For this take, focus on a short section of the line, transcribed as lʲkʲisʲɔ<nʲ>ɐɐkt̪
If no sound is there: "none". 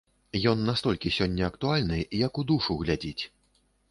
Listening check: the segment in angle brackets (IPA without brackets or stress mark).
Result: nʲː